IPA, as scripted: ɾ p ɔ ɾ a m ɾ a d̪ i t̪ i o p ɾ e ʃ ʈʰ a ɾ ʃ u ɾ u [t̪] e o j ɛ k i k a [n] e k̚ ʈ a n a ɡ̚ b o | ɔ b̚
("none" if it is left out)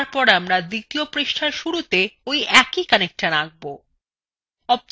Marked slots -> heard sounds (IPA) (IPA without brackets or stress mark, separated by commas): t̪, n